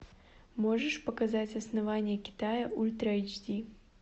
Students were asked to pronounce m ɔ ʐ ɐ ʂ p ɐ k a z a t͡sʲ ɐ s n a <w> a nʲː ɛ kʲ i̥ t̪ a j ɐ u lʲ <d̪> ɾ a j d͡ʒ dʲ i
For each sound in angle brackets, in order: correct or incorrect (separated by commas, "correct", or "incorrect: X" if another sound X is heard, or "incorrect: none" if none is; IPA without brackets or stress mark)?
incorrect: v, incorrect: t̪